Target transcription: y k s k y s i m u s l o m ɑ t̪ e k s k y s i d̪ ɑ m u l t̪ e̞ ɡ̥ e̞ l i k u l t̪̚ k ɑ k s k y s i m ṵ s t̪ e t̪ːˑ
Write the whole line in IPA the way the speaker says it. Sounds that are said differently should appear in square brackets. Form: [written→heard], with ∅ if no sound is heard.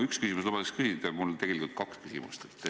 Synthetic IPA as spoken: y k s k y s i m u s l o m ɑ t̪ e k s k y s i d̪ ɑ m u l t̪ e̞ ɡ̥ e̞ l i k u l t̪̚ k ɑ k s k y s i m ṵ s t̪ e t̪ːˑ